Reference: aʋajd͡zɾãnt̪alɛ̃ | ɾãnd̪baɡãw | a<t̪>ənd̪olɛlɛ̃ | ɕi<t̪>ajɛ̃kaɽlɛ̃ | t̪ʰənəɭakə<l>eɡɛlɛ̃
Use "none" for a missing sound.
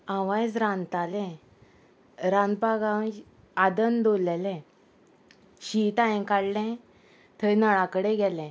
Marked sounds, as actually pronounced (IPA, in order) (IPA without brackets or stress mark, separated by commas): d̪, t̪, ɽ